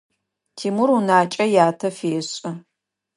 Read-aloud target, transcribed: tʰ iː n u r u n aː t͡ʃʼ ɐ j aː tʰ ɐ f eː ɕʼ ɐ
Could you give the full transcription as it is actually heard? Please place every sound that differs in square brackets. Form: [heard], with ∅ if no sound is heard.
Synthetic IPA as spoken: tʰ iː [m] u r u n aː t͡ʃʼ ɐ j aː tʰ ɐ f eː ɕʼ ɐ